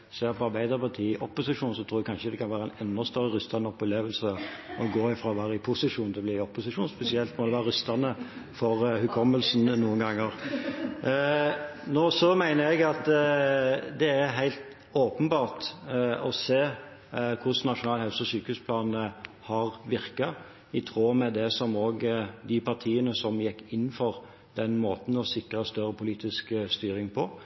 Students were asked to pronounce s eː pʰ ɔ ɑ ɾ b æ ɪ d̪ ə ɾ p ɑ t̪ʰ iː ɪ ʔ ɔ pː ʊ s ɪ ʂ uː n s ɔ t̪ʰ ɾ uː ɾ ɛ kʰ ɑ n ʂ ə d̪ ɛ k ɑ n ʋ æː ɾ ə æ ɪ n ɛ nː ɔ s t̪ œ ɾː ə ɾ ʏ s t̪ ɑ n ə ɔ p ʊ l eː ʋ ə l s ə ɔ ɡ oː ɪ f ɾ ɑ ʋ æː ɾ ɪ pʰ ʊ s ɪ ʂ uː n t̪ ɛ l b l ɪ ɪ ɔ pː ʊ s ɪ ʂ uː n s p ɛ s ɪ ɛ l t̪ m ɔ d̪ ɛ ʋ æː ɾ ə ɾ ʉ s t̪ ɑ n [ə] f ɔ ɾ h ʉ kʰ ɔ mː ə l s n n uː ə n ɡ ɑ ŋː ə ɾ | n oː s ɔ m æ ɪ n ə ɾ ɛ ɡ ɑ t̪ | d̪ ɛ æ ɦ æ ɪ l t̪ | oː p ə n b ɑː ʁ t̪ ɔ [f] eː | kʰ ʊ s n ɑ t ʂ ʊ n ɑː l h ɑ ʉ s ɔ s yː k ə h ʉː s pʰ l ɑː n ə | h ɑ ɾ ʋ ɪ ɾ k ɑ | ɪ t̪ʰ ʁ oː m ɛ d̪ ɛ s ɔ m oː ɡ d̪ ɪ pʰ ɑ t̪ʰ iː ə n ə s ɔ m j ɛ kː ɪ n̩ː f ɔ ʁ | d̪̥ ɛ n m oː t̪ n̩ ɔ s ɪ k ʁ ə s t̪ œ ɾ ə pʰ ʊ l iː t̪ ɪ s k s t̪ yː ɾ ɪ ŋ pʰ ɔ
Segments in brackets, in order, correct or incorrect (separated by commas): correct, incorrect